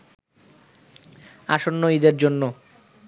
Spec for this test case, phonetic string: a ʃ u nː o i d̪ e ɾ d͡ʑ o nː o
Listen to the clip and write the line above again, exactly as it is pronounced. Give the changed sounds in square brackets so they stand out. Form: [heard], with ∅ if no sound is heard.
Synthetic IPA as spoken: a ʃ [o] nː o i d̪ e ɾ d͡ʑ o nː o